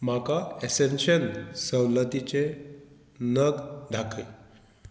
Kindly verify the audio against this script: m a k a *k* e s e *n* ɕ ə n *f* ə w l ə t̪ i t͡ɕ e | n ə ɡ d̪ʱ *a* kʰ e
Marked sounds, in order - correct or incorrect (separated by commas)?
incorrect, correct, incorrect, correct